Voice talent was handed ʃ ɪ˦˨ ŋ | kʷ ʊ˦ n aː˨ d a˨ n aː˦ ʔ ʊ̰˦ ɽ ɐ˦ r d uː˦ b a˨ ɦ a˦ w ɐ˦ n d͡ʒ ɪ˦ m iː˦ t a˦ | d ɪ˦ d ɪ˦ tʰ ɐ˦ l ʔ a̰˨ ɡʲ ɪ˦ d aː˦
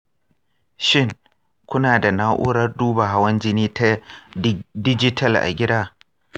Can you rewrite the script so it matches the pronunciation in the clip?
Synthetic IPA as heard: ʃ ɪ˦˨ ŋ | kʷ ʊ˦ n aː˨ d a˨ n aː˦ ʔ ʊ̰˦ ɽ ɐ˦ r d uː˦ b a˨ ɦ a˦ w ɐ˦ n d͡ʒ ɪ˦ n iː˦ t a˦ | d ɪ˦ d͡ʒ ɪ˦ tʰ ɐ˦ l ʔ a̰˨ ɡʲ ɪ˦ d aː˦